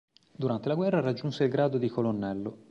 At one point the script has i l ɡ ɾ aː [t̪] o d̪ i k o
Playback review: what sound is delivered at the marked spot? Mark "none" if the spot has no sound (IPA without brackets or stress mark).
d̪